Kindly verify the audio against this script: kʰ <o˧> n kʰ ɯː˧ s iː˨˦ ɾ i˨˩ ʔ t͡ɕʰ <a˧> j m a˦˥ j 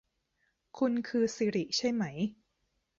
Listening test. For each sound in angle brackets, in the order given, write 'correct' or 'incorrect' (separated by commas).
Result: incorrect, incorrect